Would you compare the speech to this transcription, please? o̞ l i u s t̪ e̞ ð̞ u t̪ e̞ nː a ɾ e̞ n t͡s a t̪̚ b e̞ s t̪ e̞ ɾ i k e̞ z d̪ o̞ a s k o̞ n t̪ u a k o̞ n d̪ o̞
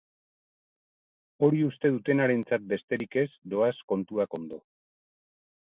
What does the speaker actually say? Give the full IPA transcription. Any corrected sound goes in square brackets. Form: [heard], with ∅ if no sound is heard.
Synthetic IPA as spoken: o̞ [ɾ] i u s t̪ e̞ ð̞ u t̪ e̞ [n] a ɾ e̞ n t͡s a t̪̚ b e̞ s t̪ e̞ ɾ i k e̞ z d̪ o̞ a s k o̞ n t̪ u a k o̞ n d̪ o̞